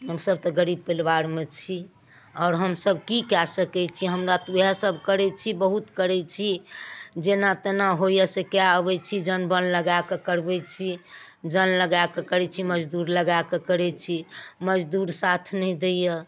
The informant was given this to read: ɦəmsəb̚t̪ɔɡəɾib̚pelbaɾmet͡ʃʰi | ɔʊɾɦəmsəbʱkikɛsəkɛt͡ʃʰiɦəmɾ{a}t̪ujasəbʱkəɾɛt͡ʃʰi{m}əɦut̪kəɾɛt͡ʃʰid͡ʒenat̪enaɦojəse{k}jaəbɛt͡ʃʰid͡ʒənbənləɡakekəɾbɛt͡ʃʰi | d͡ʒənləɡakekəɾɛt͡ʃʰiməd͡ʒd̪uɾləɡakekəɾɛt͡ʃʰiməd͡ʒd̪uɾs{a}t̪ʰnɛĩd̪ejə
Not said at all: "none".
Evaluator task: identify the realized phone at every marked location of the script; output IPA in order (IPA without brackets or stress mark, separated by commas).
a, b, k, a